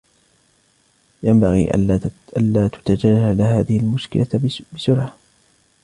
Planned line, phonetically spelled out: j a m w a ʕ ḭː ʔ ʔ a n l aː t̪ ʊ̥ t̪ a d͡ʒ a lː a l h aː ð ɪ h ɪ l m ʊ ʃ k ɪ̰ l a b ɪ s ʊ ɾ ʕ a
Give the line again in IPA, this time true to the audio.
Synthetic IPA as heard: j a m b a ɣ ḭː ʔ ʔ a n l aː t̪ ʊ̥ t̪ a d͡ʒ a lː a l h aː ð ɪ h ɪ l m ʊ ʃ k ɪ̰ l a b ɪ s ʊ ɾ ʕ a

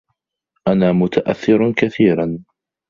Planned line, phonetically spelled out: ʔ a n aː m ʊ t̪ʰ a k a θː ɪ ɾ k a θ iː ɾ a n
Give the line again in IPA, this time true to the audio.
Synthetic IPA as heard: ʔ a n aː m ʊ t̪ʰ a ʔ a θː ɪ ɾ k a θ iː ɾ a n

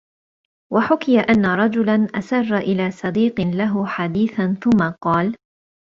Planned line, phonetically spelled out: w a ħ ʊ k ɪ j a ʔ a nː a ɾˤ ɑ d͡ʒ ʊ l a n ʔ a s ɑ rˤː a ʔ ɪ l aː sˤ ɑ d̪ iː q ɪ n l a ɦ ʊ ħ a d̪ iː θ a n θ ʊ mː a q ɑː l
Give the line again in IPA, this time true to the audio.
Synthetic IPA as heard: w a ħ ʊ k ɪ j a ʔ a nː a ɾˤ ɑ d͡ʒ ʊ l a n ʔ a s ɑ rˤː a ʔ ɪ l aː sˤ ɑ d̪ iː q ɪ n l a ɦ ʊ ħ a d̪ iː θ a n θ ʊ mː a q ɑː l

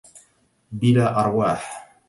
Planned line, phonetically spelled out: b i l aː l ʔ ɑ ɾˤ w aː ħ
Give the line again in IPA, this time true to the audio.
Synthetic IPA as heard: b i l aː ʔ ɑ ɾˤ w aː ħ

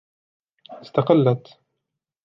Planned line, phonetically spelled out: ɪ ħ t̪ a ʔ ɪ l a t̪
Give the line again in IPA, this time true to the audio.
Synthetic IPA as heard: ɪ s t̪ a q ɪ lː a t̪

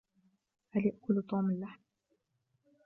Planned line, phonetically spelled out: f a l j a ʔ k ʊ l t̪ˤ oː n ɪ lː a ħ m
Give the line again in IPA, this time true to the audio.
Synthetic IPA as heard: h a l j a ʔ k ʊ l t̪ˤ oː m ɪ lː a ħ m

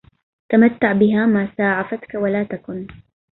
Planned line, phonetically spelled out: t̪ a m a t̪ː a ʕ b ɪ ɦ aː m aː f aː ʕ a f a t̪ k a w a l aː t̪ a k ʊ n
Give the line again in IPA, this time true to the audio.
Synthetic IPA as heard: t̪ a m a t̪ː a ʕ b ɪ ɦ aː m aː s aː ʕ a f a t̪ k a w a l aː t̪ a k ʊ n

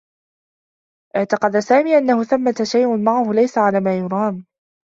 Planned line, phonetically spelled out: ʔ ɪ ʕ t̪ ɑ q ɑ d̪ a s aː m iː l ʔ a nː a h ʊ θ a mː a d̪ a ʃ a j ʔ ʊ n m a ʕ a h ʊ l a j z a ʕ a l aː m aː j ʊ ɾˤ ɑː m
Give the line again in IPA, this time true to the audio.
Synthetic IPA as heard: ʔ ɪ ʕ t̪ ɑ q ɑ d̪ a s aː m iː ʔ a nː a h ʊ θ a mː a t̪ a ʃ a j ʔ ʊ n m a ʕ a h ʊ l a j s a ʕ a l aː m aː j ʊ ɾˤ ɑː m

